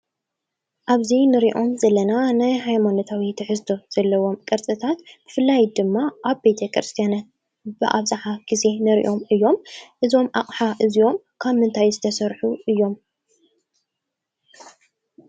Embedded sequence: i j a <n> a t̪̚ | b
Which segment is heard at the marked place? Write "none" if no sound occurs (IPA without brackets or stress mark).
n